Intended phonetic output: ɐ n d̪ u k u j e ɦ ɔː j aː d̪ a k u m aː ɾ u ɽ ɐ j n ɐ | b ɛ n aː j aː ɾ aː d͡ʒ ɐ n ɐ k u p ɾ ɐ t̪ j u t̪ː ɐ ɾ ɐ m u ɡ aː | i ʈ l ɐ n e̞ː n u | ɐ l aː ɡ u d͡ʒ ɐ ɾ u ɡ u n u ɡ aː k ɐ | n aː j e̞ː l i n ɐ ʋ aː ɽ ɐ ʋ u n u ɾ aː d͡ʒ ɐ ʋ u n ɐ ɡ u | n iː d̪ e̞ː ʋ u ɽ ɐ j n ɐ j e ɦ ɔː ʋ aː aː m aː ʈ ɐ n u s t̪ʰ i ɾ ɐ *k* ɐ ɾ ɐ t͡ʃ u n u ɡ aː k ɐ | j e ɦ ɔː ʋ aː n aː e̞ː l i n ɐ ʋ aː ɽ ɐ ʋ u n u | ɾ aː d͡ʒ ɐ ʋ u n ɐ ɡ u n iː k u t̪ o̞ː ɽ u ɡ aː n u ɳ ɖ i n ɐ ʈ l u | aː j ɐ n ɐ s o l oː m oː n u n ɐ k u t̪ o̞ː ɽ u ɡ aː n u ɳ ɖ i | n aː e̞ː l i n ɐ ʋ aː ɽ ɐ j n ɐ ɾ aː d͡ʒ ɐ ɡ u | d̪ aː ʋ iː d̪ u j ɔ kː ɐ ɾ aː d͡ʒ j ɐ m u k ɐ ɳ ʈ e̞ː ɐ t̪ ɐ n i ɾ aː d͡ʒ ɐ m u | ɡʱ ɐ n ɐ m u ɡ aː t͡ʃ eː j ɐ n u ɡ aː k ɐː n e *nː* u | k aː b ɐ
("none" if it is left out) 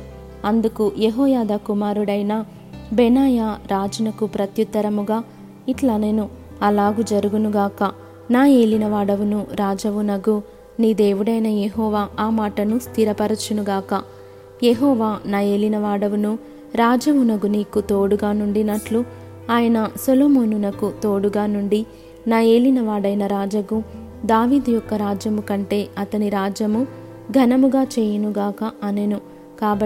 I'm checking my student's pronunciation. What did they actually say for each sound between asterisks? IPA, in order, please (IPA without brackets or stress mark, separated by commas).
p, n